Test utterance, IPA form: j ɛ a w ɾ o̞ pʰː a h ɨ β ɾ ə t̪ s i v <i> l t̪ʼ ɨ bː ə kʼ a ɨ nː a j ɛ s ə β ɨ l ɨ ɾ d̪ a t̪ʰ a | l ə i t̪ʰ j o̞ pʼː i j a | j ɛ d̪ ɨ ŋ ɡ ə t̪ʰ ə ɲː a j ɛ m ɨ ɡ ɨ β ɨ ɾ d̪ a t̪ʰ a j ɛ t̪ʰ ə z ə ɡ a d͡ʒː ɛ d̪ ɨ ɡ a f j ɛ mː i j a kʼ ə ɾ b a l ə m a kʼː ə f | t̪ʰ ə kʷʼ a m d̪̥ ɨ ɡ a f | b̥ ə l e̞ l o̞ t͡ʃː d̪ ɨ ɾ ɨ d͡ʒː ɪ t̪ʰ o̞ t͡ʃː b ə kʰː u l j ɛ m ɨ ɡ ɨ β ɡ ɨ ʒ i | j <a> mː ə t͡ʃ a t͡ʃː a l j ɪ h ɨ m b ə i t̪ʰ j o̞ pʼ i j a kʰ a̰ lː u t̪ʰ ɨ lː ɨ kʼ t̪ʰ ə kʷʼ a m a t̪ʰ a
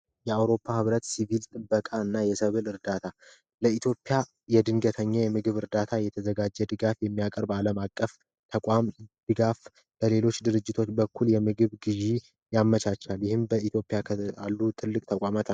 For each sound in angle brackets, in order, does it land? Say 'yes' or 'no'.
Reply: yes, yes

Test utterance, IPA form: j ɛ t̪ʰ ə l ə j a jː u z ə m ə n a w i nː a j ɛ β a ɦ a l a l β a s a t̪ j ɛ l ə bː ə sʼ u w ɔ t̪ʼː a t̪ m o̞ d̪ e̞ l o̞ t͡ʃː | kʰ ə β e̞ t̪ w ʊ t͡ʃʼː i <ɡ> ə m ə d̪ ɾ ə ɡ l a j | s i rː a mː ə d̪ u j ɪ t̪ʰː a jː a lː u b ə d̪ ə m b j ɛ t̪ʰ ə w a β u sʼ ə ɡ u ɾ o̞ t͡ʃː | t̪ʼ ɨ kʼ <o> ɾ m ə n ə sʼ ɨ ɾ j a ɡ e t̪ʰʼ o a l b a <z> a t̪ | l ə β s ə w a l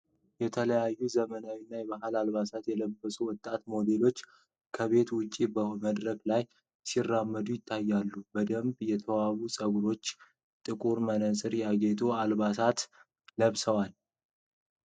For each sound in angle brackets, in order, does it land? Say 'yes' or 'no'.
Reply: no, no, no

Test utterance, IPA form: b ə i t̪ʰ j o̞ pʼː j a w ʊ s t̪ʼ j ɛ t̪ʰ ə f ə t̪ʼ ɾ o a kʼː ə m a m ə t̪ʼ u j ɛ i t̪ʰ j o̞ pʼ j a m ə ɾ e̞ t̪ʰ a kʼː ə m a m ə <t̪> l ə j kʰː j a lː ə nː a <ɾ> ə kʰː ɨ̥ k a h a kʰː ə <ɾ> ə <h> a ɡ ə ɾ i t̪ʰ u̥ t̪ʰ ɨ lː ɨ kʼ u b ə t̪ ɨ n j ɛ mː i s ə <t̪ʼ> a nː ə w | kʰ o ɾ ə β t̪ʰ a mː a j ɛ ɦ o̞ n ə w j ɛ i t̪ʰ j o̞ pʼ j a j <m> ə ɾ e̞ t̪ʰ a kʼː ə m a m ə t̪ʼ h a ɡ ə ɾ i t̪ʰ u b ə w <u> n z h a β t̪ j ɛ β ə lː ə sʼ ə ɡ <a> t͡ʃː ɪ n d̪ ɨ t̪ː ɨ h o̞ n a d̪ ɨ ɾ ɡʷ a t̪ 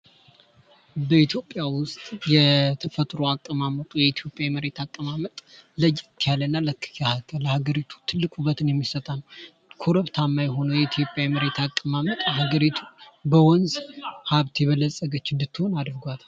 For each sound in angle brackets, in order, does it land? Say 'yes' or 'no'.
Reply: no, no, no, yes, yes, yes, no, no

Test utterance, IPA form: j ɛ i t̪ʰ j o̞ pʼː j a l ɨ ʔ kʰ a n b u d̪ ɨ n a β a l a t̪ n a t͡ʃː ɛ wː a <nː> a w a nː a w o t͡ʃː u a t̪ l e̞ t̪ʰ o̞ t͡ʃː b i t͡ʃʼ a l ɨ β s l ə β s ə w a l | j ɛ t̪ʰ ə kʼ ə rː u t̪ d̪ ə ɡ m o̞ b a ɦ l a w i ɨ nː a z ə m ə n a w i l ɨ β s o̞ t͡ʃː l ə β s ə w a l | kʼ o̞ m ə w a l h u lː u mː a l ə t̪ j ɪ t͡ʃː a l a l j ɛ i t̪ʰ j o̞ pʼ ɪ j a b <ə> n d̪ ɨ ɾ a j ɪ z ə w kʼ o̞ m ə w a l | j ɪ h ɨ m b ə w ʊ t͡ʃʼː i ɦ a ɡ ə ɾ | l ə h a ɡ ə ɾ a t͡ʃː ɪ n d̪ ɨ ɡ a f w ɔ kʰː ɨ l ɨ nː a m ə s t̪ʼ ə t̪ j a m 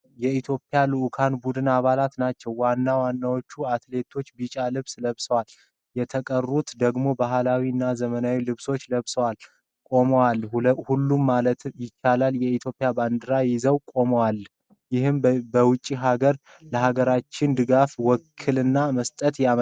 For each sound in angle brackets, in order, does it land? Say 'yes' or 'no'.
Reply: yes, no

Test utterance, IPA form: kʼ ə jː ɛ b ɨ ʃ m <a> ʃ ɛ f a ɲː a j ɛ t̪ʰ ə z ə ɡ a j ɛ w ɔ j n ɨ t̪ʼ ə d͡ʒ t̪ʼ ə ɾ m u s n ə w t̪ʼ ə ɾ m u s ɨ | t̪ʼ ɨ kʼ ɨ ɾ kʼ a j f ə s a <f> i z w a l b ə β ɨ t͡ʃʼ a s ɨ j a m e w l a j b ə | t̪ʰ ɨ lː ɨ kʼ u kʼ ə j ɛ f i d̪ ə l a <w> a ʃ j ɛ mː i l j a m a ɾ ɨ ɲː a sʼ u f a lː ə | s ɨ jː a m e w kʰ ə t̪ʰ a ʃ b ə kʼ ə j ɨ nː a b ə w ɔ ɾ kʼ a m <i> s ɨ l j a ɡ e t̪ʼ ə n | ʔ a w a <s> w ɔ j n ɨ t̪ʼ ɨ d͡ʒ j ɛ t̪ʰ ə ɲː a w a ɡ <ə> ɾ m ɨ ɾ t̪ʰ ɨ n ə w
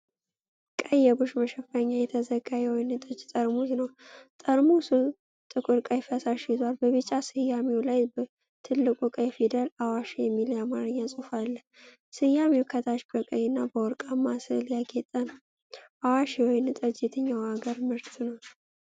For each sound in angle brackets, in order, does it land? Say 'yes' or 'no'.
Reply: no, no, yes, no, no, yes

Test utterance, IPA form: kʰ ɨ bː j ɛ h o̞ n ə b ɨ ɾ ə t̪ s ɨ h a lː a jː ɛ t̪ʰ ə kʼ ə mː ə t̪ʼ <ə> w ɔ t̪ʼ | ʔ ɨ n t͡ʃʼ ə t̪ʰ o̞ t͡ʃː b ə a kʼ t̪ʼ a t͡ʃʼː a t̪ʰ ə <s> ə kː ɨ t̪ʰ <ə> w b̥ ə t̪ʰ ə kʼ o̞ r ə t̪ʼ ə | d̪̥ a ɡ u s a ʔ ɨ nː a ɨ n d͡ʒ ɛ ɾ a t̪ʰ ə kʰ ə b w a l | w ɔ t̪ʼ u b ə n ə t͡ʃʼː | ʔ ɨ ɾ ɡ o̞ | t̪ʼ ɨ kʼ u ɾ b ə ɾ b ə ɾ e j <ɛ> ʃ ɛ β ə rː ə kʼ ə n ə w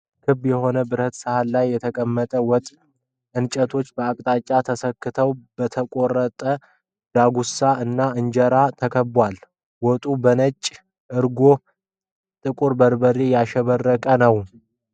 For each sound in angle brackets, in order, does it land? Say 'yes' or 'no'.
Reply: yes, yes, yes, no

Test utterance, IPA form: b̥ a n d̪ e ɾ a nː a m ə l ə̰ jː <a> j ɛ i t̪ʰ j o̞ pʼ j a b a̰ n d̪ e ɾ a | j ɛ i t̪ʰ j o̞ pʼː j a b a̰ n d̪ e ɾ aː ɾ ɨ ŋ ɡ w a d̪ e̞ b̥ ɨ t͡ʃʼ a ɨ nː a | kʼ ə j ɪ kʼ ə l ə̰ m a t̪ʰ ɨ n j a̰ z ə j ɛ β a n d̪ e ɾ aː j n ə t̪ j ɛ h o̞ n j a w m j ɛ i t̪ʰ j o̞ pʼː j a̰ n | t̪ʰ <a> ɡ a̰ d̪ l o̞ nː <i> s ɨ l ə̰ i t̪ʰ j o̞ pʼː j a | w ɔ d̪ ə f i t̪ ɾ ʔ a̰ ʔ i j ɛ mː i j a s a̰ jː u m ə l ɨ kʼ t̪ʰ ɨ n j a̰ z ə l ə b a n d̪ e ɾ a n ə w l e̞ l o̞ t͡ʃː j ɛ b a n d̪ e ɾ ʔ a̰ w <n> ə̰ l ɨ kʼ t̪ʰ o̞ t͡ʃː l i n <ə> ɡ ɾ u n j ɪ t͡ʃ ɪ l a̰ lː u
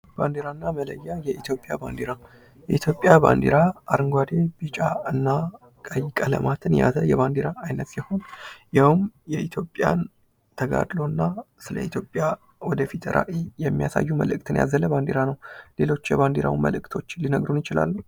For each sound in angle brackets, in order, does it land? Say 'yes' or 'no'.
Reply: yes, no, no, no, yes

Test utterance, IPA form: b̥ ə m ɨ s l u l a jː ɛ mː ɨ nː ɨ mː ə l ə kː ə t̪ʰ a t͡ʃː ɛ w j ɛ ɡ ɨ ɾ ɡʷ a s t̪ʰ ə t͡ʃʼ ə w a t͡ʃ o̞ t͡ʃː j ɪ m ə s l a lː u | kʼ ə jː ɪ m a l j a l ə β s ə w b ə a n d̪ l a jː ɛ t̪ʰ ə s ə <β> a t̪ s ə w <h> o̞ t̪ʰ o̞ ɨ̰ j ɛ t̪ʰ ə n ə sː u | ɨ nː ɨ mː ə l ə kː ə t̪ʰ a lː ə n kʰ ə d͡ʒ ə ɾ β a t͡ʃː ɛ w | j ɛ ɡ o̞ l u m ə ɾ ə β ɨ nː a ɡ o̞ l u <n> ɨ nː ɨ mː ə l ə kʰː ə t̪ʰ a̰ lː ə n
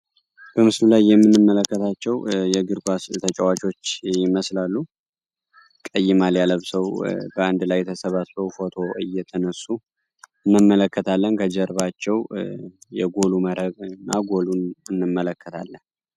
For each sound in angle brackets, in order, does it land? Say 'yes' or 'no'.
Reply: yes, no, yes

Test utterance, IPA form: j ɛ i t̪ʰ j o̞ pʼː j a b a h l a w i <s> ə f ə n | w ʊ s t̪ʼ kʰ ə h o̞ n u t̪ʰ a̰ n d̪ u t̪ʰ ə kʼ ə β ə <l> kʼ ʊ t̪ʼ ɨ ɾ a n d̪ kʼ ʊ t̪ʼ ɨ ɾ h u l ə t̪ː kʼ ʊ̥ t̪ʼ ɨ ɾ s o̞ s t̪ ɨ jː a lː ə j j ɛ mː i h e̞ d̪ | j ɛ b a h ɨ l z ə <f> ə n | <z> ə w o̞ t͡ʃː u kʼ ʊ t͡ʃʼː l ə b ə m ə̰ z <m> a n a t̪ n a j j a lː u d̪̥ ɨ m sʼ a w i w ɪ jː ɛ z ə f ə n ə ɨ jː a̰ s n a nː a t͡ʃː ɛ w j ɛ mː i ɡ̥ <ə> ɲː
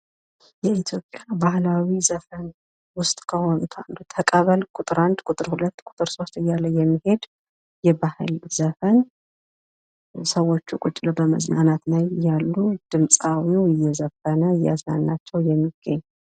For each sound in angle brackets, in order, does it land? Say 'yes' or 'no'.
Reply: no, yes, yes, no, no, yes

